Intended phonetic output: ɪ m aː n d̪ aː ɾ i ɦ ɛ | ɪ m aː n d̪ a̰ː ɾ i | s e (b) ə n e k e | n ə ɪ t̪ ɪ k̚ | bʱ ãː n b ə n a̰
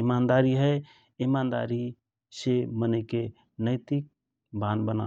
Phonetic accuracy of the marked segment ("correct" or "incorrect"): incorrect